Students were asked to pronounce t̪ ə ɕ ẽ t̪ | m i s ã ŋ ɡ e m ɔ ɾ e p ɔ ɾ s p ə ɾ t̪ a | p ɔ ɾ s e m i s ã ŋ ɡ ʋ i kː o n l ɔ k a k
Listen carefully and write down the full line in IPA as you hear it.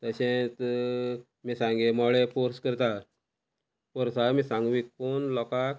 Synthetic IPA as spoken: t̪ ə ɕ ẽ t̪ | m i s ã ŋ ɡ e m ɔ ɭ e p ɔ ɾ s k ə ɾ t̪ a | p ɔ ɾ s a m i s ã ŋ ɡ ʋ i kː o n l ɔ k a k